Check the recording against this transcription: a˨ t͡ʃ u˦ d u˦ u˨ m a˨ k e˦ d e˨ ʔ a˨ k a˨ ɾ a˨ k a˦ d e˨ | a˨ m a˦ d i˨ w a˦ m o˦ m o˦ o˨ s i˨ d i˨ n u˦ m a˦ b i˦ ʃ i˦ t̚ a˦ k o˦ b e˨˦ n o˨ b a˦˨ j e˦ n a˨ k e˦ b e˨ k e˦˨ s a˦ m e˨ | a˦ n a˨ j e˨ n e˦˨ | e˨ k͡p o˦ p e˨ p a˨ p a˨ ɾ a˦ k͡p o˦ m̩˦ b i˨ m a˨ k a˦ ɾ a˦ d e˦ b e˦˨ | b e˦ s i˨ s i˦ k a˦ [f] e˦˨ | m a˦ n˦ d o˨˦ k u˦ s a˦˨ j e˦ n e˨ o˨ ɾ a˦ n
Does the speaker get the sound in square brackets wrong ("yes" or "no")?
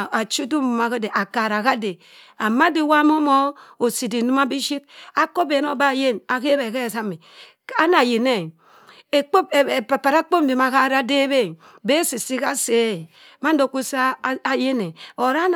yes